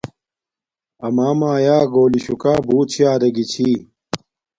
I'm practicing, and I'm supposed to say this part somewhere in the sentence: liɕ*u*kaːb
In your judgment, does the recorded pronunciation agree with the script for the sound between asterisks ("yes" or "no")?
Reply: yes